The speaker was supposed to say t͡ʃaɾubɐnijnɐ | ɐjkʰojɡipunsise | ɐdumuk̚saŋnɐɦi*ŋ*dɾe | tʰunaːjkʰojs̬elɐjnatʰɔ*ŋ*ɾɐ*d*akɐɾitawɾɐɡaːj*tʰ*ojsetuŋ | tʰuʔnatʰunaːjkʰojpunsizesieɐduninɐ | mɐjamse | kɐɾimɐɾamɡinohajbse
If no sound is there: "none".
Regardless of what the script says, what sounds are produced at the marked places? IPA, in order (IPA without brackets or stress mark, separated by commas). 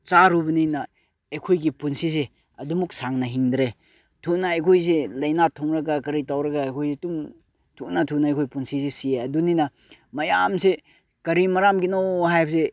ŋ, ŋ, ɡ, kʰ